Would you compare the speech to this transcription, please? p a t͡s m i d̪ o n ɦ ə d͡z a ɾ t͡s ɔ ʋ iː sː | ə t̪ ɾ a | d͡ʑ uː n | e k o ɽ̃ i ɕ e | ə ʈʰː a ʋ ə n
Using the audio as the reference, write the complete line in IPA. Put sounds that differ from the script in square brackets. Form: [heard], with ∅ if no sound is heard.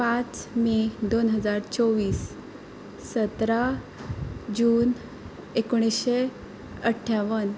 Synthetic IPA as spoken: p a t͡s m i d̪ o n ɦ ə d͡z a ɾ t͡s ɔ ʋ iː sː | ə t̪ ɾ a | d͡ʑ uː n | e k o ɽ̃ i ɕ e | ə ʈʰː a ʋ ə n